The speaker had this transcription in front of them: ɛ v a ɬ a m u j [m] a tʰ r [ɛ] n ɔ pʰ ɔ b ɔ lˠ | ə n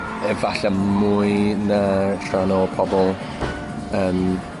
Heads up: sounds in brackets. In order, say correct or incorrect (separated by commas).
incorrect, incorrect